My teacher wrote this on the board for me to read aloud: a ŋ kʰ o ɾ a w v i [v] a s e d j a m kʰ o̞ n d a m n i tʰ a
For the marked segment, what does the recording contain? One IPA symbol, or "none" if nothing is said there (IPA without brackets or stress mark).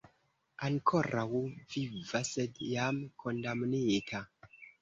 v